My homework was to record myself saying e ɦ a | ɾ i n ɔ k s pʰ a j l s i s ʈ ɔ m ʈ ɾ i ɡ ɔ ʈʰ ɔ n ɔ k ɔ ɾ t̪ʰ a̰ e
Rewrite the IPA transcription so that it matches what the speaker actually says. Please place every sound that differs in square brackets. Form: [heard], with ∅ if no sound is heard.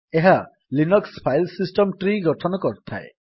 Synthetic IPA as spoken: e ɦ a | [l] i n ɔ k s pʰ a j l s i s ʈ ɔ m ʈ ɾ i ɡ ɔ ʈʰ ɔ n ɔ k ɔ ɾ t̪ʰ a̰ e